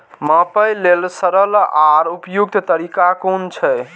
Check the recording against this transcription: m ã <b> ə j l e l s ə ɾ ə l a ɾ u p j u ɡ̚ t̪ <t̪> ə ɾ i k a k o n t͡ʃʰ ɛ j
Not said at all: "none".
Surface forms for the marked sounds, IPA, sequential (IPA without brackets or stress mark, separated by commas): p, t̪